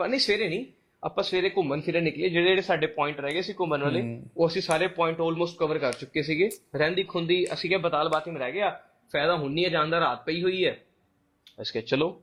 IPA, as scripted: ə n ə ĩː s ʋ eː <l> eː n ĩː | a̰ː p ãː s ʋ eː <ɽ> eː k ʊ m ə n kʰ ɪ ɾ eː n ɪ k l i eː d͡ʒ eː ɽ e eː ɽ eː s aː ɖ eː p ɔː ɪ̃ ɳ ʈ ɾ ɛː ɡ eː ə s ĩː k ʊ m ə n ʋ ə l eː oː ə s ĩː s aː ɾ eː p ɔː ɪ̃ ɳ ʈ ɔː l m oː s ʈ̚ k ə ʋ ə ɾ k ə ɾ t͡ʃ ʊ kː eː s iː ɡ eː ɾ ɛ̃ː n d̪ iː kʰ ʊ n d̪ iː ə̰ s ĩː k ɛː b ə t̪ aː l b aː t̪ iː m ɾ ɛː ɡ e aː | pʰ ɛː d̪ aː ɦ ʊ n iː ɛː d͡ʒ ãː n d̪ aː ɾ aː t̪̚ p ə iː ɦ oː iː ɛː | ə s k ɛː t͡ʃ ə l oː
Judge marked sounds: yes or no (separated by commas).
no, no